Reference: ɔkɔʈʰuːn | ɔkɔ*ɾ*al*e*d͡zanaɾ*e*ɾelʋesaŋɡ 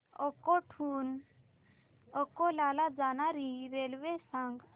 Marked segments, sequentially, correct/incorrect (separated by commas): incorrect, incorrect, incorrect